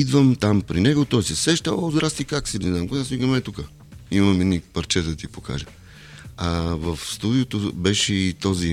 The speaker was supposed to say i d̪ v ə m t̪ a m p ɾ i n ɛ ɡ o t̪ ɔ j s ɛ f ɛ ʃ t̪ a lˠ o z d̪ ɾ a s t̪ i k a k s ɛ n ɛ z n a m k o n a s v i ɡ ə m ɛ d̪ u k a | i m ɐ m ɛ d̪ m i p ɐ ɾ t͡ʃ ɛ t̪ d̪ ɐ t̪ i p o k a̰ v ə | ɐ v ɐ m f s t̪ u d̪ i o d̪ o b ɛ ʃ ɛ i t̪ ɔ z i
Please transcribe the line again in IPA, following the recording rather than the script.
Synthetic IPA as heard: i d̪ v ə m t̪ a m p ɾ i n ɛ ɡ o t̪ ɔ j s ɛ s ɛ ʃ t̪ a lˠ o z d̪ ɾ a s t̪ i k a k s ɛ n ɛ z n a m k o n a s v i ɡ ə m ɛ t̪ u k ə | i m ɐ m ɛ d̪ n i p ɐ ɾ t͡ʃ ɛ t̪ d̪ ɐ t̪ i p o k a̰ ʒ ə | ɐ v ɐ f s t̪ u d̪ i o t̪ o b ɛ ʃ ɛ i t̪ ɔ z i